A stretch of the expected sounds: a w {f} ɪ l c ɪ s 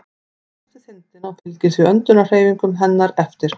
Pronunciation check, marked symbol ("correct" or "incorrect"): correct